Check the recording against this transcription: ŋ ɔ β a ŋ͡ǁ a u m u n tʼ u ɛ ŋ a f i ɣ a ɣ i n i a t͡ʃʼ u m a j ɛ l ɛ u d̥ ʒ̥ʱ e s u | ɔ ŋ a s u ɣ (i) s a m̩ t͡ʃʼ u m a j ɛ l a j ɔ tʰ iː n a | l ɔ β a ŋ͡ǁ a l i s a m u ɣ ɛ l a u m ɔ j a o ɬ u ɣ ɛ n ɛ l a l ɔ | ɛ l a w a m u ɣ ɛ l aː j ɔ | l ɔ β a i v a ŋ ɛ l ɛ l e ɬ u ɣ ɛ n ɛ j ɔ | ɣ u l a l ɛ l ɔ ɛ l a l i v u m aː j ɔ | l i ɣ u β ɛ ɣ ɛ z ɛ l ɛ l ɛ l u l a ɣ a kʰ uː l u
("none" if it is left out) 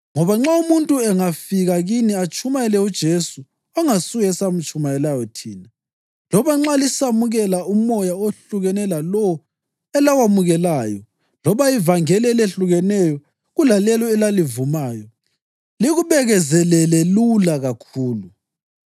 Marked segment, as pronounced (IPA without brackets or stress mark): ɛ